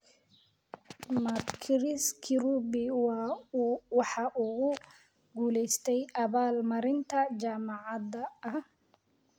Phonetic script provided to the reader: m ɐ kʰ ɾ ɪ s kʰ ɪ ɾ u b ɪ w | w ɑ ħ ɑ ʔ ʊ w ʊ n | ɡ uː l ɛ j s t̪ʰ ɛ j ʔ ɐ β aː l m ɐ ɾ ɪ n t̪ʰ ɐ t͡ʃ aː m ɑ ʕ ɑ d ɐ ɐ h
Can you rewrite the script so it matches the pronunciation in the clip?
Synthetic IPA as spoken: m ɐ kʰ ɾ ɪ s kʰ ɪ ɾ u b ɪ w | w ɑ ħ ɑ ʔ ʊ ɣ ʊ | ɡ uː l ɛ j s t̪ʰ ɛ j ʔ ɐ β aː l m ɐ ɾ ɪ n t̪ʰ ɐ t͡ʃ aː m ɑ ʕ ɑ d ɐ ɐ h